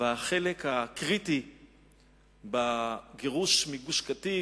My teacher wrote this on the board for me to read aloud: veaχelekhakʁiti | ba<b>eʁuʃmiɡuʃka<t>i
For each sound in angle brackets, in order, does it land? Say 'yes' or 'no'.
no, yes

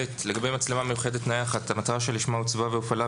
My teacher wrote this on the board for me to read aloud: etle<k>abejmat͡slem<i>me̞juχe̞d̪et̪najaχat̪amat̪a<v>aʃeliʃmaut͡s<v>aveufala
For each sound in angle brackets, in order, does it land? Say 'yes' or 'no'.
no, no, no, yes

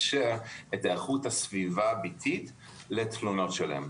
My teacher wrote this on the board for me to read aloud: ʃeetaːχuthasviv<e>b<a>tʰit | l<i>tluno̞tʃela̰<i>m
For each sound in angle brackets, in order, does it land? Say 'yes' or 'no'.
no, no, no, no

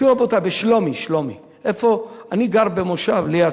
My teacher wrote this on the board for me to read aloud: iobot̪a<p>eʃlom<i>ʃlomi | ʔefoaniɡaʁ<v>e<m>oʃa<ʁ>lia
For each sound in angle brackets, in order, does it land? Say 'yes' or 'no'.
no, yes, no, yes, no

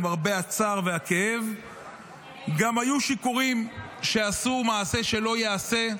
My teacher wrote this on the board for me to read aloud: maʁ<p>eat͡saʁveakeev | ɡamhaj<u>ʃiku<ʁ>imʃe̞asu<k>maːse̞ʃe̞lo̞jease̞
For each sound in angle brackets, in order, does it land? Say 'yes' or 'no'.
no, yes, yes, no

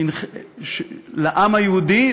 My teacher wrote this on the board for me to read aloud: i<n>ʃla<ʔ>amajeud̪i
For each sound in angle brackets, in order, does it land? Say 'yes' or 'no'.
yes, yes

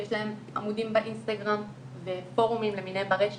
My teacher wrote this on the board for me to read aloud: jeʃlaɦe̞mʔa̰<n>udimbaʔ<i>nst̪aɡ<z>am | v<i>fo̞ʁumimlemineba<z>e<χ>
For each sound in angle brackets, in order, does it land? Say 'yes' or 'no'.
no, yes, no, no, no, no

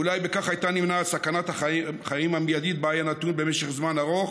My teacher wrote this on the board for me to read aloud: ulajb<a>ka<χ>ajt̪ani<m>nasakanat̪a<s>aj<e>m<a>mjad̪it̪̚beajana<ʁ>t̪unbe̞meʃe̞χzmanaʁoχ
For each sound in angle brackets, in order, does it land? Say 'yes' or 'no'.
no, yes, yes, no, no, yes, no

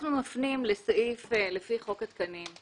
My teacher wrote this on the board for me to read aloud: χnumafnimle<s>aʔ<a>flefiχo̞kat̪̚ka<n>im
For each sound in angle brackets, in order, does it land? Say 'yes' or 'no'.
yes, no, yes

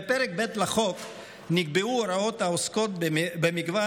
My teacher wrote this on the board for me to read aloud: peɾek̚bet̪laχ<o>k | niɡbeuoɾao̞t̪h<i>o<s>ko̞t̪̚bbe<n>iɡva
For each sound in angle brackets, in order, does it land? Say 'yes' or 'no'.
yes, no, yes, no

